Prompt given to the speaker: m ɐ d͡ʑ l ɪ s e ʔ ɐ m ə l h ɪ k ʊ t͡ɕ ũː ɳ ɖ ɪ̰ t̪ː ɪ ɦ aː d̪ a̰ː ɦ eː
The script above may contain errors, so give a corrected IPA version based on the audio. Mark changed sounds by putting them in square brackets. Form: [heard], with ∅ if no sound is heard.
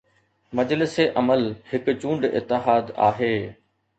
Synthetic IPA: m ɐ d͡ʑ l ɪ s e ʔ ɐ m ə l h ɪ k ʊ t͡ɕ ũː ɳ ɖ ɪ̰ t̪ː ɪ ɦ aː d̪ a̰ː ɦ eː